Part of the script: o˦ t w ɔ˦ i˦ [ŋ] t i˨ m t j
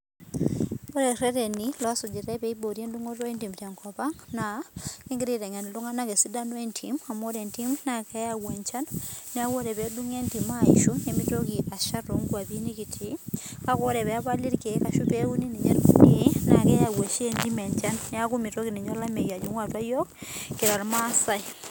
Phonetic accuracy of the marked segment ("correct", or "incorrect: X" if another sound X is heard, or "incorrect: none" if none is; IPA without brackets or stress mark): incorrect: n